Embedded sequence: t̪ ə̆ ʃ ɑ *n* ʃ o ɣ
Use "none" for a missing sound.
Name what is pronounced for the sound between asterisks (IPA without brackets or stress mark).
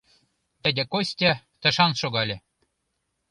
n